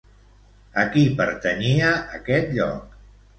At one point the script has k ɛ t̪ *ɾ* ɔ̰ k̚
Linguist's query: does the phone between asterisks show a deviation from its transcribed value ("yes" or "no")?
yes